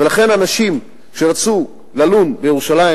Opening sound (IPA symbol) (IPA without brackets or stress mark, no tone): v